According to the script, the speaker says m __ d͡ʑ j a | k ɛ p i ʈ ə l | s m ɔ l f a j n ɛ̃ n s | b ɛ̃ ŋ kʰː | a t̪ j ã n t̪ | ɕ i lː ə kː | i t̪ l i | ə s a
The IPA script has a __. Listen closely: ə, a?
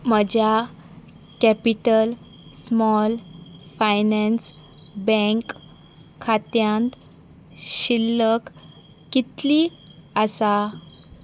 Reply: ə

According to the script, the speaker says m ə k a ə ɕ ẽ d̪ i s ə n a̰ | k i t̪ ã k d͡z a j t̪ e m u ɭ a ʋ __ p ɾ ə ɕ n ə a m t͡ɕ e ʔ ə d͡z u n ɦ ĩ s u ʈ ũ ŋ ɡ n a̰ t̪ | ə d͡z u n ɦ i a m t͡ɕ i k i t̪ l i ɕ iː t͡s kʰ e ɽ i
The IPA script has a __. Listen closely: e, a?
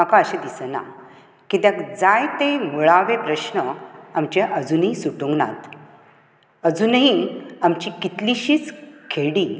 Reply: e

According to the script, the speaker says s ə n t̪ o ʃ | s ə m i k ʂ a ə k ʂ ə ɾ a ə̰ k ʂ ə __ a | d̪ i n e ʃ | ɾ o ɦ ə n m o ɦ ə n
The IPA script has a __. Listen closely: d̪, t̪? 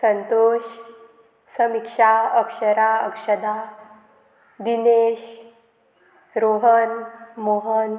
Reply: d̪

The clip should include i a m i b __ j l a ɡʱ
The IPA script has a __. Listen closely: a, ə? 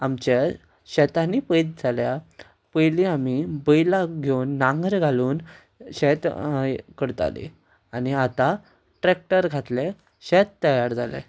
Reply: ə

